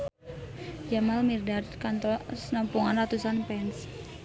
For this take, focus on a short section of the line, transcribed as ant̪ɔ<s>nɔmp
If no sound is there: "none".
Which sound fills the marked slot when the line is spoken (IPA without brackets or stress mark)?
s